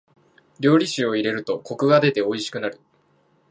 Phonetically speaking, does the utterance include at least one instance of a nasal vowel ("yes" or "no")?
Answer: no